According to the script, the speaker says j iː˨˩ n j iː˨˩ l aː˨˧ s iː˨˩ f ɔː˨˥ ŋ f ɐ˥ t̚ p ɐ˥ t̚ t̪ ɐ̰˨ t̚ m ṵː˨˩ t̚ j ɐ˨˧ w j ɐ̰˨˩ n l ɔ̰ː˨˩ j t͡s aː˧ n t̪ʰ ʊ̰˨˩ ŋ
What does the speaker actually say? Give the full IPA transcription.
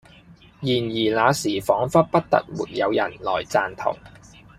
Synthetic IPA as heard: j iː˨˩ n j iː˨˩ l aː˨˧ s iː˨˩ f ɔː˨˥ ŋ f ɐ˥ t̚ p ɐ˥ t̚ t̪ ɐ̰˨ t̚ m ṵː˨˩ t̚ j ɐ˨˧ w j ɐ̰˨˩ n l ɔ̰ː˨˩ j t͡s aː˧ n t̪ʰ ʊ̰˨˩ ŋ